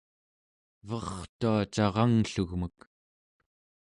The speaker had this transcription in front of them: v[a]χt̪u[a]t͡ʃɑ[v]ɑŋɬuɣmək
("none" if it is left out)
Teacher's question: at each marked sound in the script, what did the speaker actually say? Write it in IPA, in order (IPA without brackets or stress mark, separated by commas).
ʌ, a, ʁ